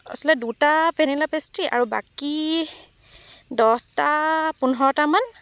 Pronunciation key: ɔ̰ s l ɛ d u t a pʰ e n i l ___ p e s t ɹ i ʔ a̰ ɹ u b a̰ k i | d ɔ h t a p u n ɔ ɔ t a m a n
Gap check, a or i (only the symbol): a